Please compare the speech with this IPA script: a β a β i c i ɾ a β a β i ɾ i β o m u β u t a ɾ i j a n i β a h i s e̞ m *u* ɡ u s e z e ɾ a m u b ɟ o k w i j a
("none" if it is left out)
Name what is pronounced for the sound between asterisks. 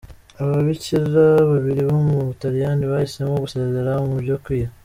o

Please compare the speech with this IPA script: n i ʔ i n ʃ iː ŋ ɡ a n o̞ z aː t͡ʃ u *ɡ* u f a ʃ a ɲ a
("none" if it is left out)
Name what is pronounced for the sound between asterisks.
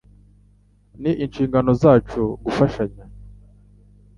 ɡ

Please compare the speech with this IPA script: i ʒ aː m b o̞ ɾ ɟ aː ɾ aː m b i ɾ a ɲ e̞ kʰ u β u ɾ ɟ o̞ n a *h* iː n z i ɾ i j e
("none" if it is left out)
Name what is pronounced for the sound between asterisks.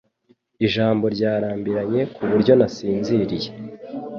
s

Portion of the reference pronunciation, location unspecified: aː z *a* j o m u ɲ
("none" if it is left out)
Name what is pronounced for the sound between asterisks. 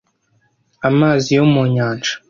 i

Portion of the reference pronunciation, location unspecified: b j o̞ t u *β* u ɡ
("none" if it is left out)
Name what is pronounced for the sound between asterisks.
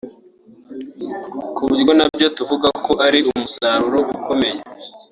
v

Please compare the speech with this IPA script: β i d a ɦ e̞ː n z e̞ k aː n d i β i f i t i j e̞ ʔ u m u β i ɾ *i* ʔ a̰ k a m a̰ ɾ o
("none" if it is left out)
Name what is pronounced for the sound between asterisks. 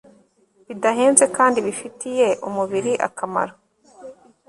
i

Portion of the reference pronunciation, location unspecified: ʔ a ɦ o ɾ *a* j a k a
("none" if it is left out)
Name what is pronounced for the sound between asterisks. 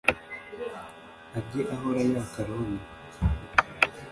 a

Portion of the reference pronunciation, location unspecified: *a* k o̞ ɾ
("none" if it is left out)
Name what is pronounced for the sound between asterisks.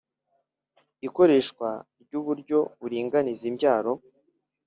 i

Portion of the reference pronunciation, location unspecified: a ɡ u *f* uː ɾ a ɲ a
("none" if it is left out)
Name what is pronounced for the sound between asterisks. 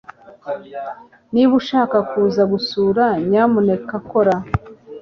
s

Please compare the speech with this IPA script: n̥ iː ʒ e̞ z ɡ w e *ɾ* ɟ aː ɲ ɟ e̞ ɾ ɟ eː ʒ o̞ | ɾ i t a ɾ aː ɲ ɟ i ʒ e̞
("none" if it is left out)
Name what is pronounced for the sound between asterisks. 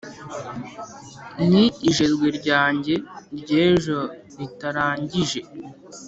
ɾ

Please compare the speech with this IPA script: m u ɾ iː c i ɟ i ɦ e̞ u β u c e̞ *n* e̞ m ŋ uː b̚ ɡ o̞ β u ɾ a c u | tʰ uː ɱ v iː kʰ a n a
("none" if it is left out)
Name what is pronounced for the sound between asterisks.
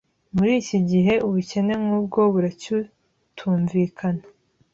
n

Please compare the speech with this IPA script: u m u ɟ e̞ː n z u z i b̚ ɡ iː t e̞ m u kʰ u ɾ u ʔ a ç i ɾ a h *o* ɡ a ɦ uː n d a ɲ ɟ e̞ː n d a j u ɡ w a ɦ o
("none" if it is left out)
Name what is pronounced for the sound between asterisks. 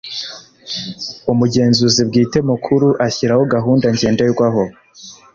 o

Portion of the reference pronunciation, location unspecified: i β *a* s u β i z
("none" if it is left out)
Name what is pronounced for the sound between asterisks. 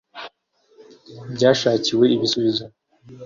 i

